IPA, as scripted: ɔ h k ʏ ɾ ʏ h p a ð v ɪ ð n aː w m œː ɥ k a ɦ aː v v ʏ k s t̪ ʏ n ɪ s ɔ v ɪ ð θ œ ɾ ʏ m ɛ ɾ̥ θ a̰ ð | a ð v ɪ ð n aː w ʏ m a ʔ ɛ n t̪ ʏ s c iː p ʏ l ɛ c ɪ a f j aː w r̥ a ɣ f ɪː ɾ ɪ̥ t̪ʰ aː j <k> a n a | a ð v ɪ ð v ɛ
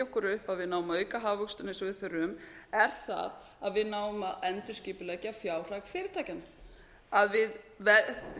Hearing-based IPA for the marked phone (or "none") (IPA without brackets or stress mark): c